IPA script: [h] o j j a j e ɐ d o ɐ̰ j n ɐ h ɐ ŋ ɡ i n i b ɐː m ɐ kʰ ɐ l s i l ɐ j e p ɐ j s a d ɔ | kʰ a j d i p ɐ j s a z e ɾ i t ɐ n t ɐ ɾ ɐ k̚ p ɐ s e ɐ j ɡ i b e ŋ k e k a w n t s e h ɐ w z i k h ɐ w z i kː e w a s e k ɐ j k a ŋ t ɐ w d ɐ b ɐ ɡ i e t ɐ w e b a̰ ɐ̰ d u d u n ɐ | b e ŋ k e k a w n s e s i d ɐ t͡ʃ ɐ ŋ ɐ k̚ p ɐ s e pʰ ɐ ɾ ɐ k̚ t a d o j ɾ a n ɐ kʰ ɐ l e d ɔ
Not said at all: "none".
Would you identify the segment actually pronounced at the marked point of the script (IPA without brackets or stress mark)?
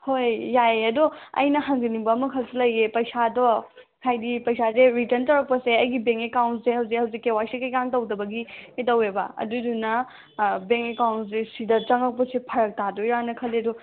h